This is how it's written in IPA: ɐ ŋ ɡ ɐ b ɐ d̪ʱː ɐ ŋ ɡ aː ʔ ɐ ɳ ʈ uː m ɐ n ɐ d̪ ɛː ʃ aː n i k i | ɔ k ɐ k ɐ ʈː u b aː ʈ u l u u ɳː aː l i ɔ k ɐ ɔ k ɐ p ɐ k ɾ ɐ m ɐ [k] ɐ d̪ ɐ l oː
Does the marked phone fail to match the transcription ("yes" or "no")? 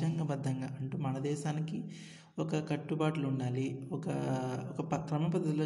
yes